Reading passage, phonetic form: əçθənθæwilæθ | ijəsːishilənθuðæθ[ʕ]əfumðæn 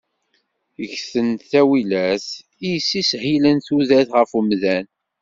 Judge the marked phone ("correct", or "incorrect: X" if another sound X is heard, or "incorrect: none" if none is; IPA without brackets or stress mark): incorrect: ʁ